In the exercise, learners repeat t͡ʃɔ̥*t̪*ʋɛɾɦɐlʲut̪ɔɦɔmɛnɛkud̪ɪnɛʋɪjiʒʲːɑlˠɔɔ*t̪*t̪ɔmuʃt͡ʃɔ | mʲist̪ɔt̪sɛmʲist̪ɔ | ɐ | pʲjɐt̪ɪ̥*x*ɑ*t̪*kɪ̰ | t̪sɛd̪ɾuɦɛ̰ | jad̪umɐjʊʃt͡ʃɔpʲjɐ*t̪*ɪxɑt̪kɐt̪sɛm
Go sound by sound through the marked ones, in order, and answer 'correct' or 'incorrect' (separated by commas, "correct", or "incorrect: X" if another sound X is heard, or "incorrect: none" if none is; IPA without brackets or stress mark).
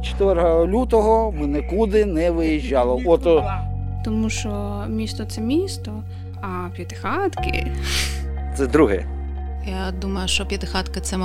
correct, correct, correct, correct, correct